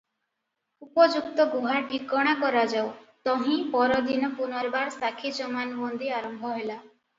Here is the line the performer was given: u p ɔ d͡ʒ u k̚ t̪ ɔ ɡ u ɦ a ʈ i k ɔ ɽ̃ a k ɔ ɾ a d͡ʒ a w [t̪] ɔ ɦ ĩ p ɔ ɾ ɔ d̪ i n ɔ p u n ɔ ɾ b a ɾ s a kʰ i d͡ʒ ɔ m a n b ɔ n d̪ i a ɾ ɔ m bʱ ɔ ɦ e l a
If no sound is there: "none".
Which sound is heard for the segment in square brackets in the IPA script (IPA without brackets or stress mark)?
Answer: t̪